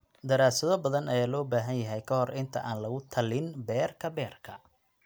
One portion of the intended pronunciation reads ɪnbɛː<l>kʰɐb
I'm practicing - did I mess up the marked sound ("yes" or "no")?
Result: yes